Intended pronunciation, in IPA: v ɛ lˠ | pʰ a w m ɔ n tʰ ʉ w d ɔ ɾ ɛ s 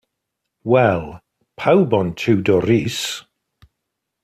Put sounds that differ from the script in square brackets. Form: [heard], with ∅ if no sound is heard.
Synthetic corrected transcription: [w] ɛ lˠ | pʰ a w [b] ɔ n tʰ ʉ w d ɔ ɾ [i] s